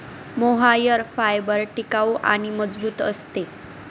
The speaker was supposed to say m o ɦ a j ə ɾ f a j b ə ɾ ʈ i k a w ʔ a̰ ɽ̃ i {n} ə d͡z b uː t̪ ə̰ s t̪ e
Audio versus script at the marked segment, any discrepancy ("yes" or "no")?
yes